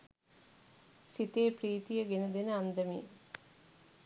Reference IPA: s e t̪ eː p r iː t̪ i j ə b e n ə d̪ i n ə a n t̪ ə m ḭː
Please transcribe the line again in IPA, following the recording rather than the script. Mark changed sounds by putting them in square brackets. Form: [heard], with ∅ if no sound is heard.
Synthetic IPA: s [i] t̪ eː p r iː t̪ i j ə [ɡ] e n ə d̪ [e] n ə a n [d̪] ə m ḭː